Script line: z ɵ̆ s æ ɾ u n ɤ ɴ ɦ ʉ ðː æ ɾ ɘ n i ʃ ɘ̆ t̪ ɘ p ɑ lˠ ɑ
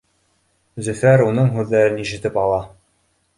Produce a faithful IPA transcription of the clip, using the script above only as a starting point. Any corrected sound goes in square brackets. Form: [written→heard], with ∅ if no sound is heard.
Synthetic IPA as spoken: z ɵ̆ [s→f] æ ɾ u n ɤ ɴ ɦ ʉ ðː æ ɾ ɘ n i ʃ ɘ̆ t̪ ɘ p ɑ lˠ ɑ